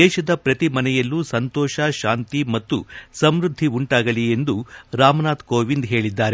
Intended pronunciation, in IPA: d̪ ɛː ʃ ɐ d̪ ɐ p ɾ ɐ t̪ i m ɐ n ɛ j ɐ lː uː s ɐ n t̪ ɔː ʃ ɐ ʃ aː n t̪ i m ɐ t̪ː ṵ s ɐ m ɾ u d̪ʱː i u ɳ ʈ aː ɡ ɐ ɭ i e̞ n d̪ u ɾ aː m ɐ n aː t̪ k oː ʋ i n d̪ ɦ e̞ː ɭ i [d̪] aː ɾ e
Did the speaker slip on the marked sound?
yes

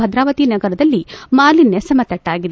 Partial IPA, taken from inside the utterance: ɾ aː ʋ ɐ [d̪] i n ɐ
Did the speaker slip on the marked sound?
yes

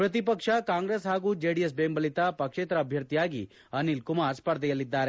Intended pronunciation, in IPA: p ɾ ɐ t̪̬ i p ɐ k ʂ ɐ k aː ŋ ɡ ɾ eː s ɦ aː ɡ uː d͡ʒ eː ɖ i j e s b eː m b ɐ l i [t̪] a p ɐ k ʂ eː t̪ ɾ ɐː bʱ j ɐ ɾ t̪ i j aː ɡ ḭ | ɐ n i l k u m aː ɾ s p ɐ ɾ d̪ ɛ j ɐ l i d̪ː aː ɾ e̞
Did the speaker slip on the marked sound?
no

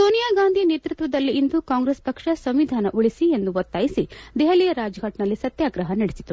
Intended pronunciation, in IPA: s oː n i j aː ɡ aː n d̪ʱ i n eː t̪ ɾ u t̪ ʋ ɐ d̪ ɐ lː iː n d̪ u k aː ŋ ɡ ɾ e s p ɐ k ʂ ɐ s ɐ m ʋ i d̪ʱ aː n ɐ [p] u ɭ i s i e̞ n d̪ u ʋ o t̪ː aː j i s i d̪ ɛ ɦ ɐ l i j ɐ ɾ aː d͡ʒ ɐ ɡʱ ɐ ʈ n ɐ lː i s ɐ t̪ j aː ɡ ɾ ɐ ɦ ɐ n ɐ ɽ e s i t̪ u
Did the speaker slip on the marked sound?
yes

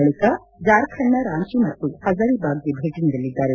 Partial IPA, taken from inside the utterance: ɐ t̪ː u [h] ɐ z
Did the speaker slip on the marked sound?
no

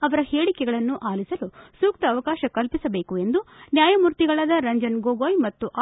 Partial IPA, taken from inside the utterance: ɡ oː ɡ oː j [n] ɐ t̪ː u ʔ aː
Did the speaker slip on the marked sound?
yes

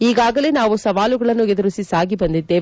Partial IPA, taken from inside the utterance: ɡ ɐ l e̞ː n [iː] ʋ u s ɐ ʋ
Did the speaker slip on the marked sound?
yes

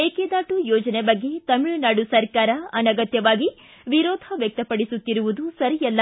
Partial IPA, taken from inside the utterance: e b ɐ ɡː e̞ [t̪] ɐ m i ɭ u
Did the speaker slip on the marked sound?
no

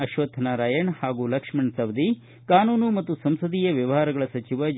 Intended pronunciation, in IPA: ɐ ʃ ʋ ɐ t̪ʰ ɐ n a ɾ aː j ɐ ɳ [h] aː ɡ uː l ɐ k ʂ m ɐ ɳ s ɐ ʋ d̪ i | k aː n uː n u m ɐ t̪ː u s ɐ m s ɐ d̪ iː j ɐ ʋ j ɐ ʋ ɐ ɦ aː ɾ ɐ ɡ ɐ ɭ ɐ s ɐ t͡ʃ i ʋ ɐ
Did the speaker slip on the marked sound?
no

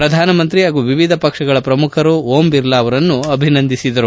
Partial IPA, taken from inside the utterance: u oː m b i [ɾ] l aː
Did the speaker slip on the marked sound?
no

